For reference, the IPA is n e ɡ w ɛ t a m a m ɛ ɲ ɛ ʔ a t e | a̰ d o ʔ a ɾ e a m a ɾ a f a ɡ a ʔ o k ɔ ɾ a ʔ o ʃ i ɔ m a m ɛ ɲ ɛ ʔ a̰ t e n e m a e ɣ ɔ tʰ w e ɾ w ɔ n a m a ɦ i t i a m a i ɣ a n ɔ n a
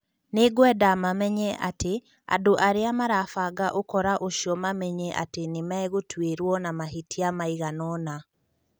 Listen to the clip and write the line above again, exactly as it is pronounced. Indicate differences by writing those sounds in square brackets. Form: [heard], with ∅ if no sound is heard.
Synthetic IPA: n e ɡ w ɛ [d] a m a m ɛ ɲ ɛ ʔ a t e | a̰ d o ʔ a ɾ e a m a ɾ a f a ɡ a ʔ o k ɔ ɾ a ʔ o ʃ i ɔ m a m ɛ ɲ ɛ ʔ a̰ t e n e m a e ɣ [o] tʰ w e ɾ w ɔ n a m a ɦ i t i a m a i ɣ a n ɔ n a